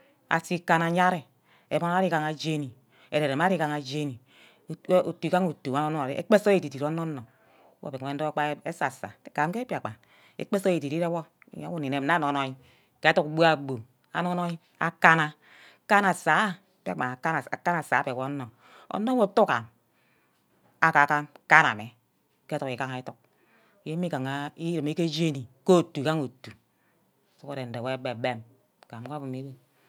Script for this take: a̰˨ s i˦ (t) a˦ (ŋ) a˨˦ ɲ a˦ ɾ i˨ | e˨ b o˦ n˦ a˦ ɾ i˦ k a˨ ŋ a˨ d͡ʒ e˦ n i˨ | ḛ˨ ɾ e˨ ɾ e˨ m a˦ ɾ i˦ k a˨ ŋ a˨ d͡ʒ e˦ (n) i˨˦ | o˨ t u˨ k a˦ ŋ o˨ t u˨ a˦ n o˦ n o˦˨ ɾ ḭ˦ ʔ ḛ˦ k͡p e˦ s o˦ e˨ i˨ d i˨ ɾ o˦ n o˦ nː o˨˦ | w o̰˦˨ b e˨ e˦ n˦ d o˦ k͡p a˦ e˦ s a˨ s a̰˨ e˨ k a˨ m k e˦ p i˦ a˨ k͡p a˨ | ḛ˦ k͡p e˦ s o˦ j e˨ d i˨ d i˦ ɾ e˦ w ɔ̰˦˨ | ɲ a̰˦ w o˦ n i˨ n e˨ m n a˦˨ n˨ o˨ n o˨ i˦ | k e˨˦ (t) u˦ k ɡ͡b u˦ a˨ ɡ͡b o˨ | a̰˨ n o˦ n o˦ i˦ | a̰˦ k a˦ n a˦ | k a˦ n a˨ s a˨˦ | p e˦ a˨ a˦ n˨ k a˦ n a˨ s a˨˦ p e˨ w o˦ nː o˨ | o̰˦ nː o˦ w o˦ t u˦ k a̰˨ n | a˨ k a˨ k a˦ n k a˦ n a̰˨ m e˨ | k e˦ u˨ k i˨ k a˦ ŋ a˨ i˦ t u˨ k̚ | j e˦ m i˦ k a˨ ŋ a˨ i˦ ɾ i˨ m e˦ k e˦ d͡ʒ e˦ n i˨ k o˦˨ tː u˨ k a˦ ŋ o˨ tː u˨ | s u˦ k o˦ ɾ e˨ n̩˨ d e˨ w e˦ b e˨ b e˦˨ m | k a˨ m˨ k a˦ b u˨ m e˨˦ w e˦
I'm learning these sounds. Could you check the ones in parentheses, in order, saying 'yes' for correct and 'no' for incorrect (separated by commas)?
no, no, yes, yes